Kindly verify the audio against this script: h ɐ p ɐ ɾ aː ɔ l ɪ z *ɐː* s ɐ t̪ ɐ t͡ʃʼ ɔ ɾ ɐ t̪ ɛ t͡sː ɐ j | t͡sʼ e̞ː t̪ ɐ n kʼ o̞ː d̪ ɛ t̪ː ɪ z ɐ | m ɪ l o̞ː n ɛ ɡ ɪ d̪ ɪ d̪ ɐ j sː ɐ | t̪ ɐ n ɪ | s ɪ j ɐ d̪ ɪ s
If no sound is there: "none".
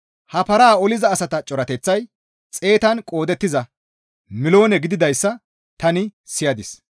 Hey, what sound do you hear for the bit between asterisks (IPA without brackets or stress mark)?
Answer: ɐː